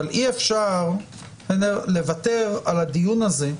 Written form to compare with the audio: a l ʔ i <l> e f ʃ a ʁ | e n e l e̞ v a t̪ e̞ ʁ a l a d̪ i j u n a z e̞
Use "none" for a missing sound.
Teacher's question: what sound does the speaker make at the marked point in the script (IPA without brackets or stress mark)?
none